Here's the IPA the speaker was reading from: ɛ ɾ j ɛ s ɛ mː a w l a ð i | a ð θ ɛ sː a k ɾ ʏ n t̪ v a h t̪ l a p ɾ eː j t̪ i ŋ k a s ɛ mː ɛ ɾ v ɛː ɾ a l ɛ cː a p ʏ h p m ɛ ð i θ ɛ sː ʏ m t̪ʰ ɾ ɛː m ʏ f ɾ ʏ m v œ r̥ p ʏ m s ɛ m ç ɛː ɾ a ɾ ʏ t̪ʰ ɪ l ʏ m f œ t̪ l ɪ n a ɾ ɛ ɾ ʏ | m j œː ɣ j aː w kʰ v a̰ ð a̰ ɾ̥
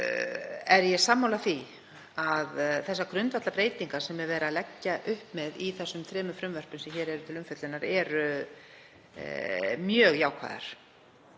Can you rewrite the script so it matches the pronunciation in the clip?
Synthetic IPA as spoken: ɛ ɾ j ɛ s a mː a w l a θ i | a ð θ ɛ sː a k ɾ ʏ n t̪ v a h t̪ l a p ɾ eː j t̪ i ŋ k a s ɛ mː ɛ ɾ v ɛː ɾ a l ɛ cː a ʔ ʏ h p m ɛ ð i θ ɛ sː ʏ m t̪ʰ ɾ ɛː m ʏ f ɾ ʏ m v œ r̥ p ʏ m s ɛ m ç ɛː ɾ ɛ ɾ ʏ t̪ʰ ɪ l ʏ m f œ t̪ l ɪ n a ɾ ɛ ɾ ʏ | m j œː ɣ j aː w kʰ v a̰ ð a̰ ɾ̥